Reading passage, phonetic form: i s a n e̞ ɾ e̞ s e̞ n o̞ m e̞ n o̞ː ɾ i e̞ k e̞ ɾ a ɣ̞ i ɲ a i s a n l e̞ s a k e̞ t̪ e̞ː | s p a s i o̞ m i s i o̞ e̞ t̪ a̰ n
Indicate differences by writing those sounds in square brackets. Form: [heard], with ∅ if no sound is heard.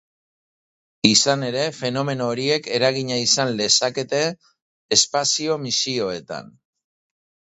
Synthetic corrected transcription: i s a n e̞ ɾ e̞ [f] e̞ n o̞ m e̞ n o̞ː ɾ i e̞ k e̞ ɾ a ɣ̞ i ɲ a i s a n l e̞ s a k e̞ t̪ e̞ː | s p a s i o̞ m i s i o̞ e̞ t̪ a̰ n